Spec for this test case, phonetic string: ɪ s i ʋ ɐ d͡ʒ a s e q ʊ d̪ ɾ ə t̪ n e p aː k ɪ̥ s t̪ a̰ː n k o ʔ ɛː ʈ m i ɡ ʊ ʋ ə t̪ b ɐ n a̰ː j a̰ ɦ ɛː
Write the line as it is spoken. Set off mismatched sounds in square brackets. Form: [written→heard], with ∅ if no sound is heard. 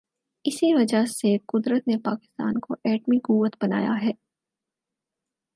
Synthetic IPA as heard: ɪ s i ʋ ɐ d͡ʒ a s e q ʊ d̪ ɾ ə t̪ n e p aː k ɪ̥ s t̪ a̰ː n k o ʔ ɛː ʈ m i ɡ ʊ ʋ ə t̪ b ɐ n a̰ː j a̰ ɦ ɛː

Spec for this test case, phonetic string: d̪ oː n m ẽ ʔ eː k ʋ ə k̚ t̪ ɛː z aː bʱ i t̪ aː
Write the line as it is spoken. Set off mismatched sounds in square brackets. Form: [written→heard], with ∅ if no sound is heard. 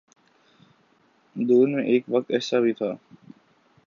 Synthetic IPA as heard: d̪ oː n m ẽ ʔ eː k ʋ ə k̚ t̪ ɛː [z→s] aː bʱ i [t̪→t̪ʰ] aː

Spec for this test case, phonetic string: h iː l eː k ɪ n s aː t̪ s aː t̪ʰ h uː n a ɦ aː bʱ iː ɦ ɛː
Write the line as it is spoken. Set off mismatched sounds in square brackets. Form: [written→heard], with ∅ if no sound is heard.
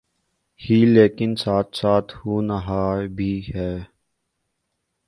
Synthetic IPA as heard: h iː l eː k ɪ n s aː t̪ s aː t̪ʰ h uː n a ɦ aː bʱ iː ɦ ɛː

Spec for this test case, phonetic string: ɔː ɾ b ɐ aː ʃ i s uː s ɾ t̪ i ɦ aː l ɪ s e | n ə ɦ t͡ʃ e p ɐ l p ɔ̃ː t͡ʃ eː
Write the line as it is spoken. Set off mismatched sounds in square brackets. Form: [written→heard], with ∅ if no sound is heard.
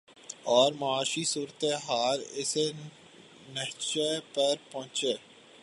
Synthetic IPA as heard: ɔː ɾ [b→m] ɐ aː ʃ i s uː [s→∅] ɾ t̪ [i→e] ɦ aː l ɪ s e | n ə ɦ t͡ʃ e p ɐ [l→ɾ] p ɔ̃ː t͡ʃ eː

